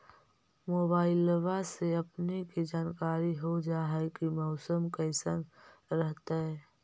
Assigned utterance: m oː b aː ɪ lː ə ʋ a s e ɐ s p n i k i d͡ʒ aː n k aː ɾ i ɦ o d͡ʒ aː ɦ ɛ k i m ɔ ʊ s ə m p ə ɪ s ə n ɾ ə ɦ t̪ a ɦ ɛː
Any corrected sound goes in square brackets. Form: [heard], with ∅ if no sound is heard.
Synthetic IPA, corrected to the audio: m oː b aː ɪ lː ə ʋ a s e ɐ [∅] p n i k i d͡ʒ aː n k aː ɾ i ɦ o d͡ʒ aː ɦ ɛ k i m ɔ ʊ s ə m [k] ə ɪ s ə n ɾ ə ɦ t̪ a ɦ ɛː